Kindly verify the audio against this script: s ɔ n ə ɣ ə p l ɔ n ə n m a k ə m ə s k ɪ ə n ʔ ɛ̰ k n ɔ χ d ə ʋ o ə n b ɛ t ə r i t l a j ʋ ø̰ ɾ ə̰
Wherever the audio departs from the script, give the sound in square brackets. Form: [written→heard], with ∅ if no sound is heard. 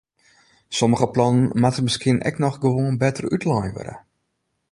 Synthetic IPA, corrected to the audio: s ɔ [n→m] ə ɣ ə p l ɔ n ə n m a [k→t] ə m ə s k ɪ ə n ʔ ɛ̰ k n ɔ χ [d→ɡ] ə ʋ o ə n b ɛ t ə r [i→y] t l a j ʋ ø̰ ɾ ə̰